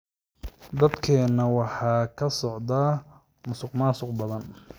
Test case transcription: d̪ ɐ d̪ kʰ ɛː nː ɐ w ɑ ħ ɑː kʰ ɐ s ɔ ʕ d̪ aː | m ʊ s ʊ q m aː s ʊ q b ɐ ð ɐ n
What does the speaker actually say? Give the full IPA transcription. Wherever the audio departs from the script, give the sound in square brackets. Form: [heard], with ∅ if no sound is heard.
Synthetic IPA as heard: d̪ ɐ d̪ kʰ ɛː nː ɐ w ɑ ħ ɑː kʰ ɐ s ɔ ʕ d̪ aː | m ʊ s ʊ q m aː s ʊ q b ɐ ð ɐ n